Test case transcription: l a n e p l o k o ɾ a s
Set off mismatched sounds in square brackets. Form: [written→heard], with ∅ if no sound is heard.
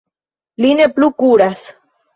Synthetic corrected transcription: l [a→i] n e p l [o→u] k [o→u] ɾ a s